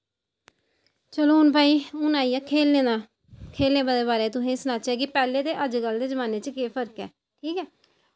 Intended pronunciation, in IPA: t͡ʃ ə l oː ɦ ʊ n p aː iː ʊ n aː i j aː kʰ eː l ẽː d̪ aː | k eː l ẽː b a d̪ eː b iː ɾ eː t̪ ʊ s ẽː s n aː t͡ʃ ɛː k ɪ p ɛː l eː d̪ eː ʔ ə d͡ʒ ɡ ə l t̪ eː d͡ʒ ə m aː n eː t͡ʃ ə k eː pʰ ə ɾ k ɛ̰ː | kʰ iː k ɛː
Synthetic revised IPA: t͡ʃ ə l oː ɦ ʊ n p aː iː ʊ n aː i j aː kʰ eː l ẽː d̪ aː | kʰ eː l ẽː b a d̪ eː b aː ɾ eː t̪ ʊ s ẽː s n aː t͡ʃ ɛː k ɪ p ɛː l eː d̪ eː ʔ ə d͡ʒ ɡ ə l d̪ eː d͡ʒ ə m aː n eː t͡ʃ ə k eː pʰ ə ɾ k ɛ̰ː | ʈʰ iː k ɛː

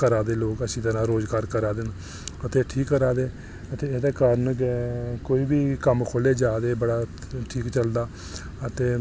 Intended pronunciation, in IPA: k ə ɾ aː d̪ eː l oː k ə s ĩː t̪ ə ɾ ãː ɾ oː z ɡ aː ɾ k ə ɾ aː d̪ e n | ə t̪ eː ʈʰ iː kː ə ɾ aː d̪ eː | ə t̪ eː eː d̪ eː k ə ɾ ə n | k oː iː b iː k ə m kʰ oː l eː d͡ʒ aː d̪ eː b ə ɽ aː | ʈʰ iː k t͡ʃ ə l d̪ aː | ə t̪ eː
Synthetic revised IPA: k ə ɾ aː d̪ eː l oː k ə s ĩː t̪ ə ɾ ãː ɾ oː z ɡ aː ɾ k ə ɾ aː d̪ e n | ə t̪ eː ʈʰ iː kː ə ɾ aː d̪ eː | ə t̪ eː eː d̪ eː k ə ɾ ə n | k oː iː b iː k ə m kʰ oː l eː d͡ʒ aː d̪ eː b ə ɽ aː | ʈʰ iː k t͡ʃ ə l d̪ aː | ə t̪ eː

